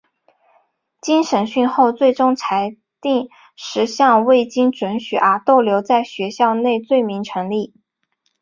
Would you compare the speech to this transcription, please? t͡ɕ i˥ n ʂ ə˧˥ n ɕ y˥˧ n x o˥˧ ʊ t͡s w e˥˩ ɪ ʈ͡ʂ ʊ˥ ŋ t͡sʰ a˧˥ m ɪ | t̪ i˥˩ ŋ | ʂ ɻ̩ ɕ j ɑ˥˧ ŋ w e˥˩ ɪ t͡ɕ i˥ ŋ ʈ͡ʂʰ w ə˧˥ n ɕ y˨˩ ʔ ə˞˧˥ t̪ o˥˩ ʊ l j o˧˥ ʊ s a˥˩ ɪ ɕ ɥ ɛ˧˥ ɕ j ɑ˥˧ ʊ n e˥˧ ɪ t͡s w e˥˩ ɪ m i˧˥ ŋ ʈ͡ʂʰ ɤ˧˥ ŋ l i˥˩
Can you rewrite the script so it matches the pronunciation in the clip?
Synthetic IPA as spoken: t͡ɕ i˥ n ʂ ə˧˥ n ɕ y˥˧ n x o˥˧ ʊ t͡s w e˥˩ ɪ ʈ͡ʂ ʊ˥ ŋ t͡sʰ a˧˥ ɪ | t̪ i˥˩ ŋ | ʂ ɻ̩ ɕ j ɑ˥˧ ŋ w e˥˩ ɪ t͡ɕ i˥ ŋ ʈ͡ʂ w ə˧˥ n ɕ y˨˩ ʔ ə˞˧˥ t̪ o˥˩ ʊ l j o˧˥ ʊ t͡s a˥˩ ɪ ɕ ɥ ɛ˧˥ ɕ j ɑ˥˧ ʊ n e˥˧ ɪ t͡s w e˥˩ ɪ m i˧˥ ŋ ʈ͡ʂʰ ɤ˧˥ ŋ l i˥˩